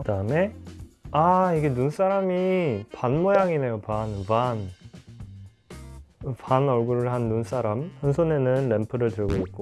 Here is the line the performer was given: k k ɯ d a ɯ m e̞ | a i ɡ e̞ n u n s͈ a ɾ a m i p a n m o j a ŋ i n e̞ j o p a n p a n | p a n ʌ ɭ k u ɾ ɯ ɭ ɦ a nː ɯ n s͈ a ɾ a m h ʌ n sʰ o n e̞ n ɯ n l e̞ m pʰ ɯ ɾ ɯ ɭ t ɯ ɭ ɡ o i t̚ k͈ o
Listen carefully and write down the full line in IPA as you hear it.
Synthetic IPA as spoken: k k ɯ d a ɯ m e̞ | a i ɡ e̞ n u n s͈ a ɾ a m i p a n m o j a ŋ i n e̞ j o p a n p a n | p a n ʌ ɭ ɡ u ɾ ɯ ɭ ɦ a nː u n s͈ a ɾ a m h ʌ n sʰ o n e̞ n ɯ n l e̞ m pʰ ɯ ɾ ɯ ɭ t ɯ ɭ ɡ o i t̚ k͈ o